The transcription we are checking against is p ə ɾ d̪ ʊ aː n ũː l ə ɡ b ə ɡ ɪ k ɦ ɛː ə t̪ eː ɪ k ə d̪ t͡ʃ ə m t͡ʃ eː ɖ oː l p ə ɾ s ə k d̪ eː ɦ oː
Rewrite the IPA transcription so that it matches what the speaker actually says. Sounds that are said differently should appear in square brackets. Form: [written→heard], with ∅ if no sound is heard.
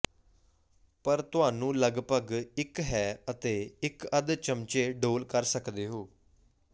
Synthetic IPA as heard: p ə ɾ [d̪→t̪] ʊ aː n ũː l ə ɡ [b→p] ə ɡ ɪ k ɦ ɛː ə t̪ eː ɪ k ə d̪ t͡ʃ ə m t͡ʃ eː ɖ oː l [p→k] ə ɾ s ə k d̪ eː ɦ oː